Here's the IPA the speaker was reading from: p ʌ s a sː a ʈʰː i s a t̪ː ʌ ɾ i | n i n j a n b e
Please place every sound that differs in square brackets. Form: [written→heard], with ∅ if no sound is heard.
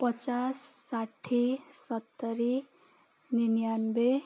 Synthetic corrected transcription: p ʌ [s→t͡s] a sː a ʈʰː i s [a→ʌ] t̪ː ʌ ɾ i | n i n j a n b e